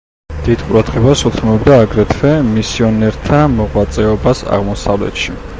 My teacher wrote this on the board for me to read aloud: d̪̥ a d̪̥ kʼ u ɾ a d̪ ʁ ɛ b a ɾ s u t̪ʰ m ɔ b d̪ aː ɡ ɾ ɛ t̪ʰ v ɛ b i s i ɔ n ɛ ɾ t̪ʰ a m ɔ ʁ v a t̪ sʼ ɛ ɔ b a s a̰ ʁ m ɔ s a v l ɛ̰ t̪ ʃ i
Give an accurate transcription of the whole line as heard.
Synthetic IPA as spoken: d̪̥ i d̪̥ qʼ u ɾ a d̪ ʁ ɛ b a s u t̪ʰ m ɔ b d̪ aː ɡ ɾ ɛ t̪ʰ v ɛ m i s i ɔ n ɛ ɾ t̪ʰ a m ɔ ʁ w a t̪ sʼ ɛ ɔ b a s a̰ ʁ m ɔ s a v l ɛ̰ t̪ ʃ i